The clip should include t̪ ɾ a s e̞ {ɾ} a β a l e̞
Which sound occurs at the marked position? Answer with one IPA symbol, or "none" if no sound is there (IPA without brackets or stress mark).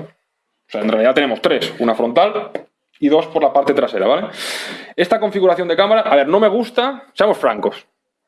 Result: ɾ